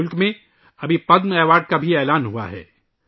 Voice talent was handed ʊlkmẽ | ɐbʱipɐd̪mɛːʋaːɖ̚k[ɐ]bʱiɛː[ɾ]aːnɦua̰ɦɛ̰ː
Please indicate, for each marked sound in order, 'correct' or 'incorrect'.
incorrect, incorrect

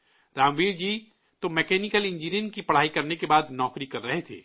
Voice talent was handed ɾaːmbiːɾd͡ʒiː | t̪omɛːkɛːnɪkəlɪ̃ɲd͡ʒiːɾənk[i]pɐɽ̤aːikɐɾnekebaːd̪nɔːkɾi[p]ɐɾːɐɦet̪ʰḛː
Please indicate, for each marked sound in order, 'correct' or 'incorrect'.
correct, incorrect

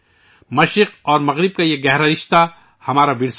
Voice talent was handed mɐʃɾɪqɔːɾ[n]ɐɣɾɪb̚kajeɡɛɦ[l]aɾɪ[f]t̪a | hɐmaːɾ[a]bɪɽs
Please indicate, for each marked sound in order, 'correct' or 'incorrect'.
incorrect, incorrect, incorrect, correct

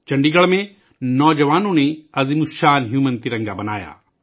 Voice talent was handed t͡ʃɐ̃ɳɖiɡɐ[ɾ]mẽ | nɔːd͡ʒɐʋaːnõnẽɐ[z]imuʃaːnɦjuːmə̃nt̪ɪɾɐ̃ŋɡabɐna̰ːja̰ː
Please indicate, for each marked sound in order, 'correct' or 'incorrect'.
incorrect, correct

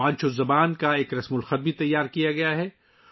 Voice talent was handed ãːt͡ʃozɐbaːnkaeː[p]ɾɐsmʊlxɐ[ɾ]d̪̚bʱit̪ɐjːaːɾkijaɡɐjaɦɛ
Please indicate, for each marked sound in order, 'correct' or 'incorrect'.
incorrect, incorrect

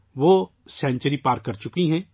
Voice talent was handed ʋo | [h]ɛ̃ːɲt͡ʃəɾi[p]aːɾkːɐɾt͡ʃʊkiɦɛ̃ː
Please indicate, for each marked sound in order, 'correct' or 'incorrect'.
incorrect, correct

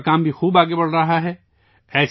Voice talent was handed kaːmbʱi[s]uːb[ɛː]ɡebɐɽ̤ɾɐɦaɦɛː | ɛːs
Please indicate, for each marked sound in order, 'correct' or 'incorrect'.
incorrect, incorrect

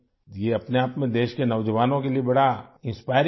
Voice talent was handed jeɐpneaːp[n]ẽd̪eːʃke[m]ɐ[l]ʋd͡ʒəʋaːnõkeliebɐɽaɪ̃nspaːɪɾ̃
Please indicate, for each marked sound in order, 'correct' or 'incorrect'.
incorrect, incorrect, incorrect

